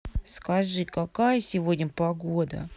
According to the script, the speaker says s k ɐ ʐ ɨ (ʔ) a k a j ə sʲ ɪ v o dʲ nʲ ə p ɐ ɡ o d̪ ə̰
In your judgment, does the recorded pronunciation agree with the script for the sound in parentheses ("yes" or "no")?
no